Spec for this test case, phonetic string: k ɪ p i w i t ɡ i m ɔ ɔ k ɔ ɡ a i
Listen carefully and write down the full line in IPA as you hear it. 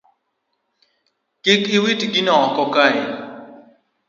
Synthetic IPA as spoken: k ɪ k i w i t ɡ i n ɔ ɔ k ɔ k a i